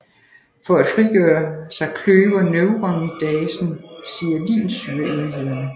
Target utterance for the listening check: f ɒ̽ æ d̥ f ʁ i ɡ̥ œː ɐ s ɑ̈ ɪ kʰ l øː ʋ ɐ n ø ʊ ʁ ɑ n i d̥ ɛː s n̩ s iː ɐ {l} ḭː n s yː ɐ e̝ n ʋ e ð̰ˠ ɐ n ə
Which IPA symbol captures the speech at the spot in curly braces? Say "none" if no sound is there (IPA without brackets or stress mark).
l